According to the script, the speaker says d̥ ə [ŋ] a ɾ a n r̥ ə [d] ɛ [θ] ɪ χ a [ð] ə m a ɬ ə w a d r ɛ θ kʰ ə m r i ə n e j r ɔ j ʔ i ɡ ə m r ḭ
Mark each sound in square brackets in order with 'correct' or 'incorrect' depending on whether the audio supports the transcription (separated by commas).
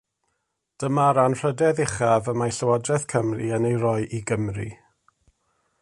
incorrect, correct, incorrect, incorrect